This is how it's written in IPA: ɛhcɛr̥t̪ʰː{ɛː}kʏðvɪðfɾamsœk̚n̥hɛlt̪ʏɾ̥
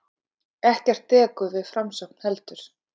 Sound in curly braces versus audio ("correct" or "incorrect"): correct